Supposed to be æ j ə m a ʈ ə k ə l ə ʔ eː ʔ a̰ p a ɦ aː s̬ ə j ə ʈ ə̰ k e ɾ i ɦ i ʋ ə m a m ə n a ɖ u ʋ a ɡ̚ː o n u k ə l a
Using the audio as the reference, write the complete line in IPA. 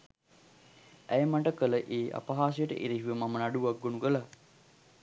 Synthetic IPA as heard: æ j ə m a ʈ ə k ə l ə ʔ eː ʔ a̰ p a ɦ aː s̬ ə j ə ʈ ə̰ ʔ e ɾ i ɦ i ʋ ə m a m ə n a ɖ u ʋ a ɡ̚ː o n u k ə l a